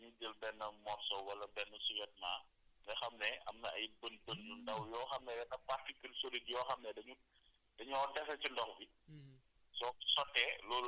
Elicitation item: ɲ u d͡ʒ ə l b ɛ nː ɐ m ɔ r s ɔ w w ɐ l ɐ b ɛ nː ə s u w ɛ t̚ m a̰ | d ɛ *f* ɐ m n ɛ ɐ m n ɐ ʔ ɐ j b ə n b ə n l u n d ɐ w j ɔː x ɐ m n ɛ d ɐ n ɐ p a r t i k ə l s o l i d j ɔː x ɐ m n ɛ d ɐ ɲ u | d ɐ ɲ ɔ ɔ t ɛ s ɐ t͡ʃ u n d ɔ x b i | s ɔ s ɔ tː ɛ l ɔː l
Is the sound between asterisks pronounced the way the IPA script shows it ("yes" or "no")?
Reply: no